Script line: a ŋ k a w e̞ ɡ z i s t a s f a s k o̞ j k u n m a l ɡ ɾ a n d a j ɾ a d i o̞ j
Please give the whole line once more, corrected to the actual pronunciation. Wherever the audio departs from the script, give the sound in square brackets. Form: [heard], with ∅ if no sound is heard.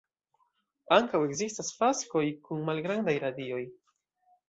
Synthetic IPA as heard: a ŋ k a w e̞ ɡ z i s t a s f a s k o̞ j k u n m a l ɡ ɾ a n d a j ɾ a d i o̞ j